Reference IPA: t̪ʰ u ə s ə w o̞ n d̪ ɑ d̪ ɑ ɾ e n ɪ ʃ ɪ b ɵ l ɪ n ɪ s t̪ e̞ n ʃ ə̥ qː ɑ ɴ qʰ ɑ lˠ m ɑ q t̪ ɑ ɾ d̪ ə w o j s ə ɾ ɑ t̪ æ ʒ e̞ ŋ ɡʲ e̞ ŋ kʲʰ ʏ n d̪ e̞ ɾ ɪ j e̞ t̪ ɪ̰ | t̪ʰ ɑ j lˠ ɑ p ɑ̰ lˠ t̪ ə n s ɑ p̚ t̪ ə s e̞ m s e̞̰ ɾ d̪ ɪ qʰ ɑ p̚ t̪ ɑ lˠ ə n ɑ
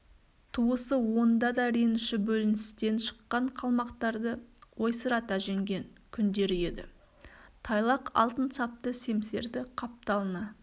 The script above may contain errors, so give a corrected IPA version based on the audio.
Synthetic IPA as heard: t̪ʰ u ə s ə w o̞ n d̪ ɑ d̪ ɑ ɾ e n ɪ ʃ ɪ b ɵ l ɪ n ɪ s t̪ e̞ n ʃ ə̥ qː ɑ ɴ qʰ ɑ lˠ m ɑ q t̪ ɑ ɾ d̪ ə w o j s ə ɾ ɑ t̪ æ ʒ e̞ ŋ ɡʲ e̞ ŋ kʲʰ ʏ n d̪ e̞ ɾ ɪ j e̞ d̪ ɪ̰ | t̪ʰ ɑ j lˠ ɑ q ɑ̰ lˠ t̪ ə n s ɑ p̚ t̪ ə s e̞ m s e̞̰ ɾ d̪ ɪ qʰ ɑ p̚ t̪ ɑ lˠ ə n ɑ